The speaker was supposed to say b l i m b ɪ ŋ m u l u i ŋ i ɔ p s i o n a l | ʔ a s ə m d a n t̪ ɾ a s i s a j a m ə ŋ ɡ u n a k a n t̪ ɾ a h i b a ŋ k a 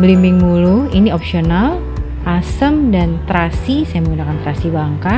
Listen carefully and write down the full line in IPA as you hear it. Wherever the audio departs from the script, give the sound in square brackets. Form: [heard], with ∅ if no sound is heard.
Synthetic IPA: b l i m b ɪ ŋ m u l u i [n] i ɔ p s i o n a l | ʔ a s ə m d a n t̪ ɾ a s i s a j a m ə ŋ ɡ u n a k a n t̪ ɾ a [s] i b a ŋ k a